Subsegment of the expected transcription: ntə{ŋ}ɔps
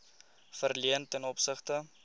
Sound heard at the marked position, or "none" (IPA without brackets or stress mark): n